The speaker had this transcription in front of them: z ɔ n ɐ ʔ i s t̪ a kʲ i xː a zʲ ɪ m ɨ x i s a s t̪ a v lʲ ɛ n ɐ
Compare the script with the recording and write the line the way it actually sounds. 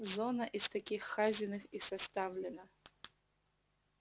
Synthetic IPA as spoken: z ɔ n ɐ ʔ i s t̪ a kʲ i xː a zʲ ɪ n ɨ x i s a s t̪ a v lʲ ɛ n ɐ